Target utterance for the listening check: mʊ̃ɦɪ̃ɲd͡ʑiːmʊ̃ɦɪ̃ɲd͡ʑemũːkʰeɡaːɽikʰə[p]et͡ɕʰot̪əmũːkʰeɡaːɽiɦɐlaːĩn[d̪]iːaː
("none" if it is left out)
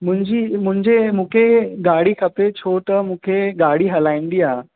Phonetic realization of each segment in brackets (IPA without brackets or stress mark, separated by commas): p, d̪